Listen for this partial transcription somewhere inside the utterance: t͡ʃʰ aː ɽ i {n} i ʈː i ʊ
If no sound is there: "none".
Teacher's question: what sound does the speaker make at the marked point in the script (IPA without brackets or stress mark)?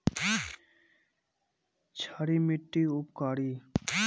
m